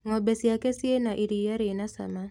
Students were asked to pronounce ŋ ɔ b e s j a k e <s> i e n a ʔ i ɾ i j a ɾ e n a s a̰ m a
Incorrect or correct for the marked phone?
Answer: correct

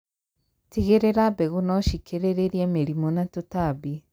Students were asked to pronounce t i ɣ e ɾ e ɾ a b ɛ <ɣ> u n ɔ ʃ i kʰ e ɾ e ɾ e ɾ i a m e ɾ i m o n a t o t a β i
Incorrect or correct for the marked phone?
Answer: correct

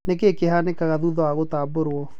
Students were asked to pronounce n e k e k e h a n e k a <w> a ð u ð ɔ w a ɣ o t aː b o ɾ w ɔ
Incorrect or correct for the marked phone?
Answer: incorrect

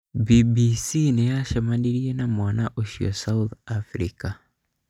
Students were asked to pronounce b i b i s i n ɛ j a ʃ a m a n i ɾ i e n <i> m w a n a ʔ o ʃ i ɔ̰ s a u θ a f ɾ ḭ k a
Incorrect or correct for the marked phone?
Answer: incorrect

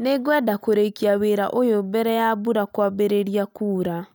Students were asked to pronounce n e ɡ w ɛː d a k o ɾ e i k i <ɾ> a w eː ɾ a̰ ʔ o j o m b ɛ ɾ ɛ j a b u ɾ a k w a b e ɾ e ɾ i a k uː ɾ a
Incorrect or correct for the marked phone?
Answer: incorrect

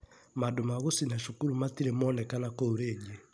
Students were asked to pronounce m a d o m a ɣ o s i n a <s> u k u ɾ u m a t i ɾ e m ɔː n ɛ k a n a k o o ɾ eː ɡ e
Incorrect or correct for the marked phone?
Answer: incorrect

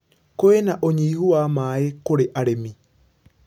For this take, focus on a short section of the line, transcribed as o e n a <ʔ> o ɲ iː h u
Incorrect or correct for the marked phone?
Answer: correct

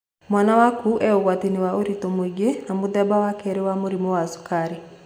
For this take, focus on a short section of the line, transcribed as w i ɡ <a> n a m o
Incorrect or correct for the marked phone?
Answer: incorrect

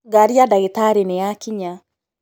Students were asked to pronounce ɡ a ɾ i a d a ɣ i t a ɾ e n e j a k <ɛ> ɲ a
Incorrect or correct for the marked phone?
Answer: incorrect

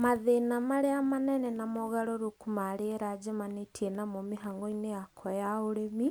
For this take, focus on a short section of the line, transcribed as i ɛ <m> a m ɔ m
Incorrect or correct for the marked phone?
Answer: incorrect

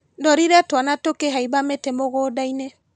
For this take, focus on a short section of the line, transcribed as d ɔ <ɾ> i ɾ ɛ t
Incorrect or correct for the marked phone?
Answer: correct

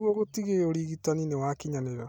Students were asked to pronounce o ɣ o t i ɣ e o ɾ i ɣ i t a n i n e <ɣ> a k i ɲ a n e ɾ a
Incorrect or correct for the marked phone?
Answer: incorrect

